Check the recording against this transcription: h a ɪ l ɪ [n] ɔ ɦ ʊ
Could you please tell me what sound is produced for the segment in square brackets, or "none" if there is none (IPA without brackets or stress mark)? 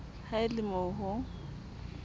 m